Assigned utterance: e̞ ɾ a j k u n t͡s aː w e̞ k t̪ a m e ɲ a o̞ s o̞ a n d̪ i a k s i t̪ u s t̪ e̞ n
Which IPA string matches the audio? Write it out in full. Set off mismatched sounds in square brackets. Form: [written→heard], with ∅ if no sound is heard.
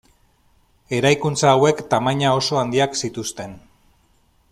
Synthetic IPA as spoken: e̞ ɾ a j k u n t͡s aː w e̞ k t̪ a m [e→a] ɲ a o̞ s o̞ a n d̪ i a k s i t̪ u s t̪ e̞ n

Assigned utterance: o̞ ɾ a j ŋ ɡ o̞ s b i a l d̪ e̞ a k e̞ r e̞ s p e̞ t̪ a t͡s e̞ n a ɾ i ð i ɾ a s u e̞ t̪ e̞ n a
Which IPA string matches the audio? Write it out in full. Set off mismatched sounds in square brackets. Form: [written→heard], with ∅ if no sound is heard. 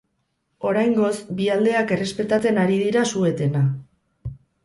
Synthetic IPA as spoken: o̞ ɾ a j ŋ ɡ o̞ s b i a l d̪ e̞ a k e̞ r e̞ s p e̞ t̪ a t͡s e̞ n a ɾ i ð i ɾ a s u e̞ t̪ e̞ n a

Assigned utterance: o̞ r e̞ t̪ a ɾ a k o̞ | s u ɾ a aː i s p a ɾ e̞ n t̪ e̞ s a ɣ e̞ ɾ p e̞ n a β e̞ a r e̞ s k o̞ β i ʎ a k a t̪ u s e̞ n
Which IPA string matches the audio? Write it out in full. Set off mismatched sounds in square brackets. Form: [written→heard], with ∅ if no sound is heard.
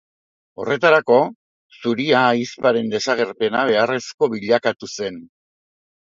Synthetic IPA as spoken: o̞ r e̞ t̪ a ɾ a k o̞ | s u ɾ [a→i] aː i s p a ɾ e̞ n [t̪→d̪] e̞ s a ɣ e̞ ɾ p e̞ n a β e̞ a r e̞ s k o̞ β i ʎ a k a t̪ u s e̞ n

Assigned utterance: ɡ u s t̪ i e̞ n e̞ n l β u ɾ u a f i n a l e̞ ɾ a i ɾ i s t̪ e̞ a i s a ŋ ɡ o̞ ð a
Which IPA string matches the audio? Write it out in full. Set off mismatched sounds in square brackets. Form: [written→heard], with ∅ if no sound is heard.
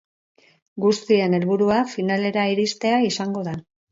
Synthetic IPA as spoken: ɡ u s t̪ i e̞ n e̞ [n→∅] l β u ɾ u a f i n a l e̞ ɾ a i ɾ i s t̪ e̞ a i s a ŋ ɡ o̞ ð a

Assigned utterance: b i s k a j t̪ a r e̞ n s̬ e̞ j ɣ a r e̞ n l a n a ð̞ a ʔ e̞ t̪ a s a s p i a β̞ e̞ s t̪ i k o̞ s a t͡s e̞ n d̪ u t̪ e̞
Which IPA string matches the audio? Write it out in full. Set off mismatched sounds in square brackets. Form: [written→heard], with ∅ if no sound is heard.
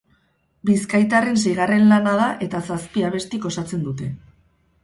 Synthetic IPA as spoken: b i s k a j t̪ a r e̞ n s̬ e̞ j ɣ a r e̞ n l a n a ð̞ a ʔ e̞ t̪ a s a s p i a β̞ e̞ s t̪ i k o̞ s a t͡s e̞ n d̪ u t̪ e̞

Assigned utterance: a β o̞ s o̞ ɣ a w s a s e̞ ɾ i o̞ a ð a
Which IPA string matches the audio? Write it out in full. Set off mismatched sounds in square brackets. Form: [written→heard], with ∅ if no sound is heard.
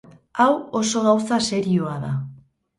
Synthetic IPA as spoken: a [β→w] o̞ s o̞ ɣ a w s a s e̞ ɾ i o̞ a ð a

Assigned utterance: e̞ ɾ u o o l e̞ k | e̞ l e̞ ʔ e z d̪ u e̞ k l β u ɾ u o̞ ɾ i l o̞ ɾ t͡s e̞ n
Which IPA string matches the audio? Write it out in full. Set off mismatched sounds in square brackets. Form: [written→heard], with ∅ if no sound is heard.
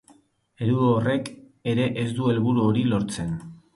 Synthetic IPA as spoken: e̞ ɾ u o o [l→r] e̞ k | e̞ [l→ɾ] e̞ ʔ e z d̪ u e̞ [k→∅] l β u ɾ u o̞ ɾ i l o̞ ɾ t͡s e̞ n

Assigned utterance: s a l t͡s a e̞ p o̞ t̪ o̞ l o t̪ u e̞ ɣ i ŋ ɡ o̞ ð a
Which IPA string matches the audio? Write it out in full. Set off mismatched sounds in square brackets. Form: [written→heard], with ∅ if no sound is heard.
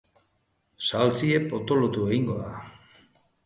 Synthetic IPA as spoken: s a l t͡s [a→i] e̞ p o̞ t̪ o̞ l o t̪ u e̞ ɣ i ŋ ɡ o̞ ð a

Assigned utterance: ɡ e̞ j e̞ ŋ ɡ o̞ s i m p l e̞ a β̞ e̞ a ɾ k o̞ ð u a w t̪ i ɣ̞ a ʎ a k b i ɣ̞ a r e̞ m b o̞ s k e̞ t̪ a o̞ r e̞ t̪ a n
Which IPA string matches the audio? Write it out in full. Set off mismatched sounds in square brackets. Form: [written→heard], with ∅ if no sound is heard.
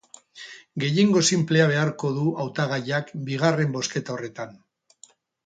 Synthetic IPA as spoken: ɡ e̞ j e̞ ŋ ɡ o̞ s i m p l e̞ a β̞ e̞ a ɾ k o̞ ð u a w t̪ [i→a] ɣ̞ a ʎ a k b i ɣ̞ a r e̞ m b o̞ s k e̞ t̪ a o̞ r e̞ t̪ a n

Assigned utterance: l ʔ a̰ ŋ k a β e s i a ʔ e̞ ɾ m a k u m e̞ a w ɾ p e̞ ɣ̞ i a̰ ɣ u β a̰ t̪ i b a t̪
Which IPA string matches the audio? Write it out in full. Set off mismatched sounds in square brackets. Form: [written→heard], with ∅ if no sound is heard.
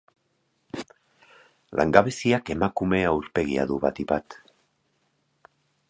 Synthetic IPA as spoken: l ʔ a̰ ŋ [k→ɡ] a β e s i a [ʔ→k] e̞ [ɾ→∅] m a k u m e̞ a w ɾ p e̞ ɣ̞ i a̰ [ɣ→ð] u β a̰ t̪ i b a t̪

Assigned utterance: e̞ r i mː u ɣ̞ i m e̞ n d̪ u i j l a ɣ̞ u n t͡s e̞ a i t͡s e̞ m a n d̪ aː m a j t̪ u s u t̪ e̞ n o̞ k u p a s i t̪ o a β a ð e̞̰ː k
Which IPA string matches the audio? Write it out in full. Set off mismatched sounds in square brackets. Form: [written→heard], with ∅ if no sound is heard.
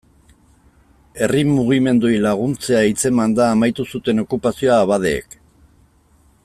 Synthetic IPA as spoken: e̞ r i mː u ɣ̞ i m e̞ n d̪ u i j l a ɣ̞ u n t͡s e̞ a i t͡s e̞ m a n d̪ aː m a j t̪ u s u t̪ e̞ n o̞ k u p a s i [t̪→∅] o a β a ð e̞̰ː k

